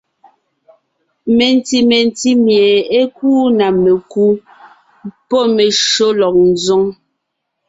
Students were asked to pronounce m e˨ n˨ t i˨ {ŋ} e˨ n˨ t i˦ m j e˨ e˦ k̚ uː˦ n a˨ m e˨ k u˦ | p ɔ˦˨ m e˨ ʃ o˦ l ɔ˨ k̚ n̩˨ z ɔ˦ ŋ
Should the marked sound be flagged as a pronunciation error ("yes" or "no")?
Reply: yes